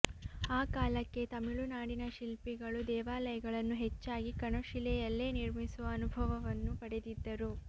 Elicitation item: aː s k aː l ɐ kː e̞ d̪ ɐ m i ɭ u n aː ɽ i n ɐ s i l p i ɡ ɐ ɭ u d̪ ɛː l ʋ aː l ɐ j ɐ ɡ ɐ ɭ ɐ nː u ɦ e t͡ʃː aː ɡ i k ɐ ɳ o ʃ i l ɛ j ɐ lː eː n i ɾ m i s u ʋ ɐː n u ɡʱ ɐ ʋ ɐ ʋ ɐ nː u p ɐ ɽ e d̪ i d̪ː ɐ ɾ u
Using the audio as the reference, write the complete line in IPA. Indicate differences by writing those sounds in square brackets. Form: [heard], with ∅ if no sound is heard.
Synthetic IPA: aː [∅] k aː l ɐ kː e̞ [t̪] ɐ m i ɭ u n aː ɽ i n ɐ [ʃ] i l p i ɡ ɐ ɭ u d̪ ɛː [∅] ʋ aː l ɐ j ɐ ɡ ɐ ɭ ɐ nː u ɦ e t͡ʃː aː ɡ i k ɐ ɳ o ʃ i l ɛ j ɐ lː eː n i ɾ m i s u ʋ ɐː n u [bʱ] ɐ ʋ ɐ ʋ ɐ nː u p ɐ ɽ e d̪ i d̪ː ɐ ɾ u